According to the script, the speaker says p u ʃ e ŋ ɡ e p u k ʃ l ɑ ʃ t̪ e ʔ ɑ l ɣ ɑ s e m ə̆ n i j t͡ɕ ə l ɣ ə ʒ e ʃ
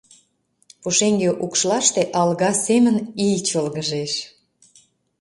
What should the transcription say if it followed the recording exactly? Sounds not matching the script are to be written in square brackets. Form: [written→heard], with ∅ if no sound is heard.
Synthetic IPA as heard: p u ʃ e ŋ ɡ e [p→ʔ] u k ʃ l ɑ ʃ t̪ e ʔ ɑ l ɣ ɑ s e m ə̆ n i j t͡ɕ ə l ɣ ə ʒ e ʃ